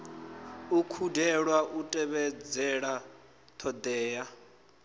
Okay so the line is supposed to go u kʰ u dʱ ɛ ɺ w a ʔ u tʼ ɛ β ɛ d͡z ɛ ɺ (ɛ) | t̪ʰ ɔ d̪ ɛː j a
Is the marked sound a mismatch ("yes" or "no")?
yes